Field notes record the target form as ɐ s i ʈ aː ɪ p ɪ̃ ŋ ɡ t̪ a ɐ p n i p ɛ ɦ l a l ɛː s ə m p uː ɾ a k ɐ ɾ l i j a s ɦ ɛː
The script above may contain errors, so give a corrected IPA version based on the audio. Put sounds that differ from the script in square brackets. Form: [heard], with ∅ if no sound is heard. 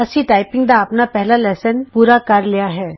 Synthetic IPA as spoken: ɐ s i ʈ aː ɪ p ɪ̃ ŋ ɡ [d̪] a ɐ p n [a] p ɛ ɦ l a l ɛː s ə [n] p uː ɾ a k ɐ ɾ l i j a [∅] ɦ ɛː

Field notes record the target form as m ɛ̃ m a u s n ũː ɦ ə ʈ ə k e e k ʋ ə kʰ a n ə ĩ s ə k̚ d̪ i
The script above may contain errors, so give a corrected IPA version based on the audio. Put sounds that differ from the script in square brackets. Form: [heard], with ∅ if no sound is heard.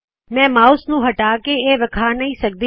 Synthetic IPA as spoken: m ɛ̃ m a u s n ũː ɦ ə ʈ [a] k e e [∅] ʋ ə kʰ a n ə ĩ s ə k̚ d̪ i

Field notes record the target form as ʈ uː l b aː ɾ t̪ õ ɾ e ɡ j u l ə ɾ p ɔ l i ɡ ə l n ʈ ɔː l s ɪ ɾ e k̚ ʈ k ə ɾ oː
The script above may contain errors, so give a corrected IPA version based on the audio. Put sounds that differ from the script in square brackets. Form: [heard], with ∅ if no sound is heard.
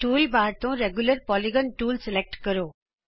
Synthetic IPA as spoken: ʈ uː l b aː ɾ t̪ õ ɾ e ɡ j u l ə ɾ p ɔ l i ɡ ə [∅] n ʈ [uː] l s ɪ [l] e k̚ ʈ k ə ɾ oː

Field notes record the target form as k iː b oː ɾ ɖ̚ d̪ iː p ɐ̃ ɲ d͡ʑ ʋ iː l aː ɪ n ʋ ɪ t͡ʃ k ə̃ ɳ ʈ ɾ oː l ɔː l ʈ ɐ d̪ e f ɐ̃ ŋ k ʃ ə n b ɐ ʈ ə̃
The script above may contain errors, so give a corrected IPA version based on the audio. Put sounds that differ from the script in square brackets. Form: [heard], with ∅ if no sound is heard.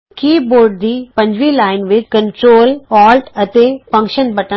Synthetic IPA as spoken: k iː b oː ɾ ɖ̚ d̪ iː p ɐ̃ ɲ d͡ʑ ʋ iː l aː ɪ n ʋ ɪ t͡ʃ k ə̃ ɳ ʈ ɾ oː l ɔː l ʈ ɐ [t̪] e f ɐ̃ ŋ k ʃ ə n b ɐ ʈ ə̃

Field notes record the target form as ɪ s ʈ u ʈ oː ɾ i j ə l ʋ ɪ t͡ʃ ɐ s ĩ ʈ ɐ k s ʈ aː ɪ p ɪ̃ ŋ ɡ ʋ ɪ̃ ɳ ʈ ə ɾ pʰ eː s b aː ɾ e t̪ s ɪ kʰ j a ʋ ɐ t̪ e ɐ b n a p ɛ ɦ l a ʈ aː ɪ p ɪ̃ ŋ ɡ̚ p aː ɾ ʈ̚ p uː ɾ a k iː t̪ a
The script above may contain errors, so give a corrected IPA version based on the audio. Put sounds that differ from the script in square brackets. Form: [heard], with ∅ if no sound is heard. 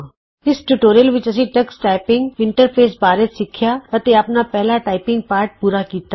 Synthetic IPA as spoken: ɪ s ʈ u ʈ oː ɾ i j ə l ʋ ɪ t͡ʃ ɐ s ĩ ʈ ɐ k s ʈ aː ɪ p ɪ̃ ŋ ɡ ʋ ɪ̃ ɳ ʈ ə ɾ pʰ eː s b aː ɾ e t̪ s ɪ kʰ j a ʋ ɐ t̪ e ɐ [p] n a p ɛ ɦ l a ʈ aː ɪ p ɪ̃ ŋ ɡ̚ p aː ɾ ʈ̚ p uː ɾ a k iː t̪ a

